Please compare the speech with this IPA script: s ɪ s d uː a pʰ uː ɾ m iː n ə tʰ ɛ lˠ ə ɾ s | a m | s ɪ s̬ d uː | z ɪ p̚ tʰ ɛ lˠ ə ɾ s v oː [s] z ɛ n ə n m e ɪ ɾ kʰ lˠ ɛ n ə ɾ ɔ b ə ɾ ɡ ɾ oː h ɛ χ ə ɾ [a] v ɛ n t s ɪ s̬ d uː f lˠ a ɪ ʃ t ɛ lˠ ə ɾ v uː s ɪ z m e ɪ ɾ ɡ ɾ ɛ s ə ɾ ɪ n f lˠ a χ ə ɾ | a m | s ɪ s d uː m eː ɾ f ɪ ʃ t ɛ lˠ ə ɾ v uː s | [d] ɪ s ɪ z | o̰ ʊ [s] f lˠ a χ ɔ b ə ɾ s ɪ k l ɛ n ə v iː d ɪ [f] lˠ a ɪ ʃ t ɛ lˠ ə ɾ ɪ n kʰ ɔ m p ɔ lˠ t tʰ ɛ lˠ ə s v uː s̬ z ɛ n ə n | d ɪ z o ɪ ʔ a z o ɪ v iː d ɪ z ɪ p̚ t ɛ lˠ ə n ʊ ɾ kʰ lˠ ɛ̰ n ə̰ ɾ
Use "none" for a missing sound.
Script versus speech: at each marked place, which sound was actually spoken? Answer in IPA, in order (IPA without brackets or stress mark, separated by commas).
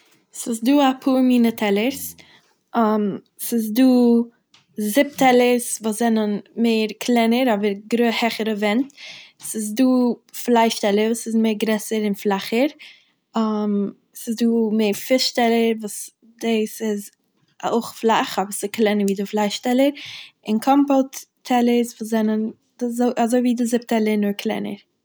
s, ə, d, χ, f